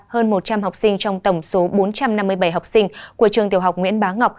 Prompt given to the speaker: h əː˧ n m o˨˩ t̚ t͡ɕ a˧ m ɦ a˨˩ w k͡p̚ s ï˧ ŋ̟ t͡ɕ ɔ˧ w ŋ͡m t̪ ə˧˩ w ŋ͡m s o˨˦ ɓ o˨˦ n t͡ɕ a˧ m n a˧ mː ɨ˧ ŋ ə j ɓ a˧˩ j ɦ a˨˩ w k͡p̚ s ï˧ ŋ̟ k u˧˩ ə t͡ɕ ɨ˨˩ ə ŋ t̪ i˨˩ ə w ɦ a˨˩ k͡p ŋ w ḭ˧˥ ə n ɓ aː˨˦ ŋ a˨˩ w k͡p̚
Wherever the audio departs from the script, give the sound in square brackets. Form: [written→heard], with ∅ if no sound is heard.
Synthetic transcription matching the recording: h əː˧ n m o˨˩ t̚ t͡ɕ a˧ m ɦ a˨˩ w k͡p̚ s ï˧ ŋ̟ t͡ɕ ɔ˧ w ŋ͡m t̪ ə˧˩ w ŋ͡m s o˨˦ ɓ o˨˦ n t͡ɕ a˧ m n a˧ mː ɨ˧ [ŋ→∅] ə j ɓ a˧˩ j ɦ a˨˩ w k͡p̚ s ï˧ ŋ̟ k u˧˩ ə t͡ɕ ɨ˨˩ ə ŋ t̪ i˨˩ ə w ɦ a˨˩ k͡p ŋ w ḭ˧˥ ə n ɓ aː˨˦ ŋ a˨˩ w k͡p̚

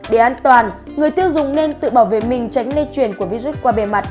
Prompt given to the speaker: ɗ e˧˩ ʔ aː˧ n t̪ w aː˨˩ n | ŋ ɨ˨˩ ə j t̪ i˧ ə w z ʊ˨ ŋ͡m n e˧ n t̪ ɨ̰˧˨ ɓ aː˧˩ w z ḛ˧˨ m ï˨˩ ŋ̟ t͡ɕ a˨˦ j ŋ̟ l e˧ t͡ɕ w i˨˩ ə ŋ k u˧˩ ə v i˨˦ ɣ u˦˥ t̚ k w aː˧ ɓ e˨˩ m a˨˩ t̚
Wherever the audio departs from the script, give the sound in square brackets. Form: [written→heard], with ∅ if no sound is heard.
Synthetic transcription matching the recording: ɗ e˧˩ ʔ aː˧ n t̪ w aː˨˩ n | ŋ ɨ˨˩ ə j t̪ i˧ ə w z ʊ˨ ŋ͡m n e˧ n t̪ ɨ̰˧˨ ɓ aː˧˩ w [z→v] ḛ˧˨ m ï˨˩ ŋ̟ t͡ɕ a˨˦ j ŋ̟ l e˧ t͡ɕ w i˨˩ ə [ŋ→n] k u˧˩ ə v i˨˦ [ɣ→z] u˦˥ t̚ k w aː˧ ɓ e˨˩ m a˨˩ t̚

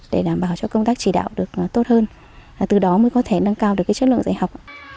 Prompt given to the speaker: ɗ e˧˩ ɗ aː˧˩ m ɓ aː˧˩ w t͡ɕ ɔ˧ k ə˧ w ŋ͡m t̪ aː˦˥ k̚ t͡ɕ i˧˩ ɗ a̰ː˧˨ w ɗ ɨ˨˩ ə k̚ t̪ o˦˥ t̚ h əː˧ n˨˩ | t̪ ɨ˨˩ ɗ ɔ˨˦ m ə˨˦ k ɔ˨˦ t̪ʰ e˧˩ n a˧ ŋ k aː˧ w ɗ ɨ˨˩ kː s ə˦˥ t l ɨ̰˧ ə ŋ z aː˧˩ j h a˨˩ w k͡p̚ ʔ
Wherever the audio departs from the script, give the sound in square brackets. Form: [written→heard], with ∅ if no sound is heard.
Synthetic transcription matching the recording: ɗ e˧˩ ɗ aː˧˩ m ɓ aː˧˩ w t͡ɕ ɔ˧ k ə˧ w ŋ͡m t̪ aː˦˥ k̚ t͡ɕ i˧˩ ɗ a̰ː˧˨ w ɗ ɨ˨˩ ə k̚ t̪ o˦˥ t̚ h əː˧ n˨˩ | t̪ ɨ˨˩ ɗ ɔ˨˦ m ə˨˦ k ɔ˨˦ t̪ʰ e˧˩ n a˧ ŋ k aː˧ w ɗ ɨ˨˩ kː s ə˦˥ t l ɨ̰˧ ə ŋ z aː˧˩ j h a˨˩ w k͡p̚ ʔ

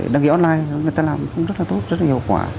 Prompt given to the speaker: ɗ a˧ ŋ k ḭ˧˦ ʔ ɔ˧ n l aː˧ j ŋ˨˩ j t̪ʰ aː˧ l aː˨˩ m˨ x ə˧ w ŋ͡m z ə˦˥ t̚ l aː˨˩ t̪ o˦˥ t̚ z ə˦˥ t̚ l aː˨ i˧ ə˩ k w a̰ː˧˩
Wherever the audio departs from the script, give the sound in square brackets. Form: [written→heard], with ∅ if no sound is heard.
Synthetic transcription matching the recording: ɗ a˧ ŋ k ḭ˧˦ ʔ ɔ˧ n l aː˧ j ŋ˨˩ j [t̪ʰ→t̪] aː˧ l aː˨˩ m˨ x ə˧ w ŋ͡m z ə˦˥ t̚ l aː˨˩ t̪ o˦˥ t̚ z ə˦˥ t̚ l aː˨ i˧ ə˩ k w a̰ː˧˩

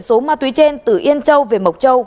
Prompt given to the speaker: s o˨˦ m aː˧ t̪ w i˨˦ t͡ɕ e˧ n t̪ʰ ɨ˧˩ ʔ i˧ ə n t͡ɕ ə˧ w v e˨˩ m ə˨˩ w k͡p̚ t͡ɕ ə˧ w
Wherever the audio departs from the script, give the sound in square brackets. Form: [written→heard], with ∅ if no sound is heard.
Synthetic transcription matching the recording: s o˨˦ m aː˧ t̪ w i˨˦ t͡ɕ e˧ n [t̪ʰ→t̪] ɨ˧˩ ʔ i˧ ə n t͡ɕ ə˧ w v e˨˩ m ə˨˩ w k͡p̚ t͡ɕ ə˧ w

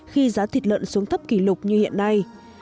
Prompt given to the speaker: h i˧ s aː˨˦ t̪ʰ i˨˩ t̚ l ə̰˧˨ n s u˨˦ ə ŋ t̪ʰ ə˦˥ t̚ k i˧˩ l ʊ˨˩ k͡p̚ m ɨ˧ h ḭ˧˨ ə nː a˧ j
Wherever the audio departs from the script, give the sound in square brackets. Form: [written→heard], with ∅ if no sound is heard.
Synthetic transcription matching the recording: [h→x] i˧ [s→z] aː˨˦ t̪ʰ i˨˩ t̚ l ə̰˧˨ n s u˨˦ ə ŋ t̪ʰ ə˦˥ [t̚→p̚] k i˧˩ l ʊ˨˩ k͡p̚ [m→ɲ] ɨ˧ h ḭ˧˨ ə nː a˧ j

